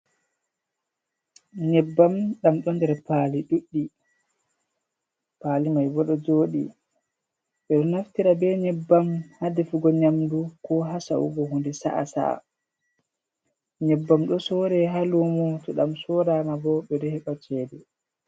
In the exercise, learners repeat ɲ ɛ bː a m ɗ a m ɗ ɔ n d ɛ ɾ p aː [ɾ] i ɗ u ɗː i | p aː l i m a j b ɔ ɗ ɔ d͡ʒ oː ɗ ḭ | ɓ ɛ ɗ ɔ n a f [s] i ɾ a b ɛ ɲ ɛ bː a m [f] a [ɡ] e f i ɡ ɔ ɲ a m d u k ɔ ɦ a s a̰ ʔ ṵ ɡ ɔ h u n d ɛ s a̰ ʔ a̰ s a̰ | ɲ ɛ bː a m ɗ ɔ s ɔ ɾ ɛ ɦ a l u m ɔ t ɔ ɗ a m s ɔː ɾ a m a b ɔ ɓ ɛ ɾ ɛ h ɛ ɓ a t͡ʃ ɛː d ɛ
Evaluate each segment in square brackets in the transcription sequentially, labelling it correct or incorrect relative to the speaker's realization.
incorrect, incorrect, incorrect, incorrect

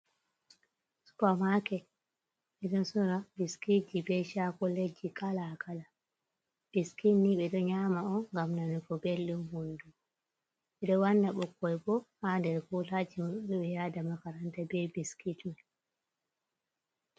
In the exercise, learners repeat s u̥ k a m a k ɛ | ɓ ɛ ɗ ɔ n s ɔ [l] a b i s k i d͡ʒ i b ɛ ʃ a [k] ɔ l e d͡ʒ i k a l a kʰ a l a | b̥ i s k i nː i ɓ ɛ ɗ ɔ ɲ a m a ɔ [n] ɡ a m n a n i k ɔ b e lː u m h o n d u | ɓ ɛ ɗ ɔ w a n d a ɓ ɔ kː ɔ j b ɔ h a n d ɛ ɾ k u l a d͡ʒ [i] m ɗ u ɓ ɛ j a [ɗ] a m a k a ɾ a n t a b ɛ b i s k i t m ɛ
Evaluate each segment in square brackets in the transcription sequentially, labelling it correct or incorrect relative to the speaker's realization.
incorrect, correct, incorrect, correct, incorrect

